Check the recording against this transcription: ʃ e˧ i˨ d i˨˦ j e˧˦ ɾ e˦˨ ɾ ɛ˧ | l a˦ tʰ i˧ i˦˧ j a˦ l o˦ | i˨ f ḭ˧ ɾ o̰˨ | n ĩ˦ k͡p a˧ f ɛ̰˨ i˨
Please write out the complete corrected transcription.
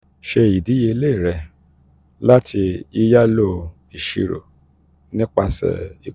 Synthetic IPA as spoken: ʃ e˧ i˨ d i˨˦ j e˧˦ l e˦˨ ɾ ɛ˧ | l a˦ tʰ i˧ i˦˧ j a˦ l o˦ | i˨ ʃ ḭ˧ ɾ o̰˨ | n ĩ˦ k͡p a˧ s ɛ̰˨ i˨